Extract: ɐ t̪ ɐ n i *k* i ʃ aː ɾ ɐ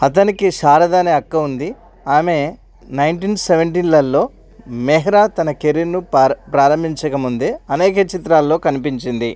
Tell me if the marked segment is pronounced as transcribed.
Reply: yes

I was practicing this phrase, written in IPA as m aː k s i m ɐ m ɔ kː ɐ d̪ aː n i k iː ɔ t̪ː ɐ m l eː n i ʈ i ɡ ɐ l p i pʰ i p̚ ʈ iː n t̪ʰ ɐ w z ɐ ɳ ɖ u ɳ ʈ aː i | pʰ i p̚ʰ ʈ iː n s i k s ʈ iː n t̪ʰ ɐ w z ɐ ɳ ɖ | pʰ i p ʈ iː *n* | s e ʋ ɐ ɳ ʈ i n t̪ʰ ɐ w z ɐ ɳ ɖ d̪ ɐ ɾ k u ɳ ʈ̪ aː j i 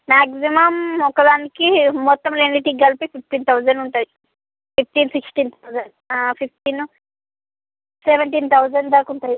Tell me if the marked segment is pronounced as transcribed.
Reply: yes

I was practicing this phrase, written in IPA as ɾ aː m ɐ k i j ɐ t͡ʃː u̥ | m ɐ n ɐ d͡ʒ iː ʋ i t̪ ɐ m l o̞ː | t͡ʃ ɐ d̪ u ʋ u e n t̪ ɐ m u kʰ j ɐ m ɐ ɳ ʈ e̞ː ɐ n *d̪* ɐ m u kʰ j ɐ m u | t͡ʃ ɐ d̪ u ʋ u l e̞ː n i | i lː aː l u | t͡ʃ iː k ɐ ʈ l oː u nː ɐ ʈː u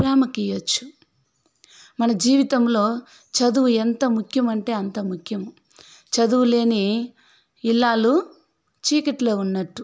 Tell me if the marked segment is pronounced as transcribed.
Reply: no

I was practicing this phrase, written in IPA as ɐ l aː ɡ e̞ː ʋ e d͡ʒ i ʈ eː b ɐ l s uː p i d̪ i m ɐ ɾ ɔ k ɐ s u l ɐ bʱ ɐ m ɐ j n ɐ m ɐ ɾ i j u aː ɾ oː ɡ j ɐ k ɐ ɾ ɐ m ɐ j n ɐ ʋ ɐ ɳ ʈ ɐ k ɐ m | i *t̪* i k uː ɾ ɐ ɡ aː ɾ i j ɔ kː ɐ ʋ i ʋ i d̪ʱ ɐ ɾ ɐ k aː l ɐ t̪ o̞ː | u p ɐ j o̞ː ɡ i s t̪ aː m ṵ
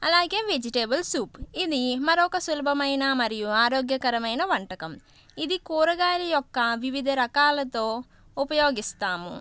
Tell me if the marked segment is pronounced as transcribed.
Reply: no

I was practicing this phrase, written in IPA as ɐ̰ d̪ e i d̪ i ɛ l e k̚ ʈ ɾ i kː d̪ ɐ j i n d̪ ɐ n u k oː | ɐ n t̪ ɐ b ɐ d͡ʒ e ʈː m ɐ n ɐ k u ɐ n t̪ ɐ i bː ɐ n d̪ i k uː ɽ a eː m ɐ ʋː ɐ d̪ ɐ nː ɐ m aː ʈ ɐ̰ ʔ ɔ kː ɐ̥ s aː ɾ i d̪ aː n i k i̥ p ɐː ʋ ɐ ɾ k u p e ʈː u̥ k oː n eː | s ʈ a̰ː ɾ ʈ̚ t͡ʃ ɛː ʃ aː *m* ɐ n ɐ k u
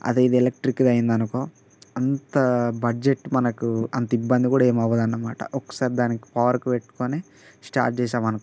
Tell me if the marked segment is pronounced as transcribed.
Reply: yes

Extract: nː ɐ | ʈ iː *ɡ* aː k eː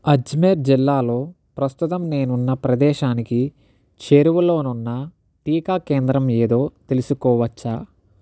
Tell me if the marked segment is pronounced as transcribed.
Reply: no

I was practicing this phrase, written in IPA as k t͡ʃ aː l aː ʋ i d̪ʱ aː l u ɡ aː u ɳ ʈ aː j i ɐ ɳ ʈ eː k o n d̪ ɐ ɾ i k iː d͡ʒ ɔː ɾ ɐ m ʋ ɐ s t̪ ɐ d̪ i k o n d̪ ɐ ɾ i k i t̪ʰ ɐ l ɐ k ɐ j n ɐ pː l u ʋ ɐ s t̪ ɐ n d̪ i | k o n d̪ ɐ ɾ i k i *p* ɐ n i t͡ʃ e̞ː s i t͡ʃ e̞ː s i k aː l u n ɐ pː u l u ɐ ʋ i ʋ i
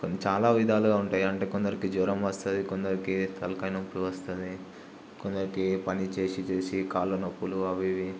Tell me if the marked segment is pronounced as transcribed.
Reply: yes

